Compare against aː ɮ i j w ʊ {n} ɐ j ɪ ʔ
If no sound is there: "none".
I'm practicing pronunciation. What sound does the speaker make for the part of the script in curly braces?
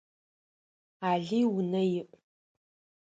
n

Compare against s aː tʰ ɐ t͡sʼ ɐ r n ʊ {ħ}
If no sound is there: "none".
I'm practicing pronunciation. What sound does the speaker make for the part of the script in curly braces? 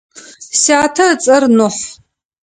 ħ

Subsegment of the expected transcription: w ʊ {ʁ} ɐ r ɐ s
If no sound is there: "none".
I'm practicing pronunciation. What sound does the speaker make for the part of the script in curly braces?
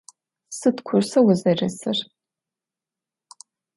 z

